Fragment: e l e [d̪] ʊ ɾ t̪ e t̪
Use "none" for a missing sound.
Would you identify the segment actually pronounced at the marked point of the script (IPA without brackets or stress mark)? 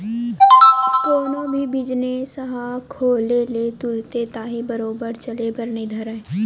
t̪